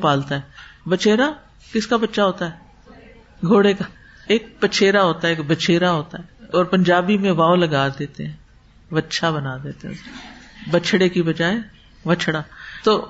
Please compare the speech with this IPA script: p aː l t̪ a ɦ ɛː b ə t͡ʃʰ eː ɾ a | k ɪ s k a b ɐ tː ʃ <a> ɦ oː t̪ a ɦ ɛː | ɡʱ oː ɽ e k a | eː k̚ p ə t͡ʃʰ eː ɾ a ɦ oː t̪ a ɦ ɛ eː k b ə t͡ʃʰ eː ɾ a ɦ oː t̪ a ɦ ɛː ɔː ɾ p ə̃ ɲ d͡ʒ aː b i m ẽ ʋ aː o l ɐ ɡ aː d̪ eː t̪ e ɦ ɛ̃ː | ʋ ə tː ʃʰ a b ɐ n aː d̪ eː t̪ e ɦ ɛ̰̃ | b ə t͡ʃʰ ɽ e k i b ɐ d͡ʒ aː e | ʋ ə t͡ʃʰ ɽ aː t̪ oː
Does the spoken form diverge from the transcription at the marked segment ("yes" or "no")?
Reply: no